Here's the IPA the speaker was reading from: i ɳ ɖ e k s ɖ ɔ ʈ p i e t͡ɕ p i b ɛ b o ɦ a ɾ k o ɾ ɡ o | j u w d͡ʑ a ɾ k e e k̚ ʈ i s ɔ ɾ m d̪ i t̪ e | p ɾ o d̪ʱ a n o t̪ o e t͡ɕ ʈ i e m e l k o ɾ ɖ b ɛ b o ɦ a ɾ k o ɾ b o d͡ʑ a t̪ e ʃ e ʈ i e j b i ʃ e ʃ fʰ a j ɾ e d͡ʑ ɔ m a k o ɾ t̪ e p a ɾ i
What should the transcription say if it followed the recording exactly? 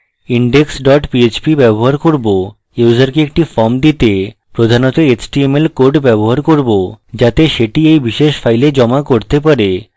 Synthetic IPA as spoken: i ɳ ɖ e k s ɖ ɔ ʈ p i e t͡ɕ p i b ɛ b o ɦ a ɾ k o ɾ b o | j u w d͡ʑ a ɾ k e e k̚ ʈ i f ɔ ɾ m d̪ i t̪ e | p ɾ o d̪ʱ a n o t̪ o e t͡ɕ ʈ i e m e l k o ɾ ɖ b ɛ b o ɦ a ɾ k o ɾ b o d͡ʑ a t̪ e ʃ e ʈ i e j b i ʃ e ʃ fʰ a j l e d͡ʑ ɔ m a k o ɾ t̪ e p a ɾ e